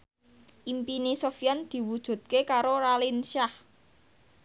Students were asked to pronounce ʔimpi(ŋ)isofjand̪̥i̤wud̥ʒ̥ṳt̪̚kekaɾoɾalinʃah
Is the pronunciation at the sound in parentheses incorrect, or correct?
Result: incorrect